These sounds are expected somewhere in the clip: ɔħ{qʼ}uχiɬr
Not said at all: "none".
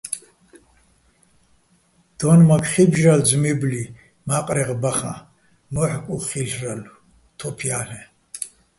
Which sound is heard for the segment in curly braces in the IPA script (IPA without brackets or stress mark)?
kʼ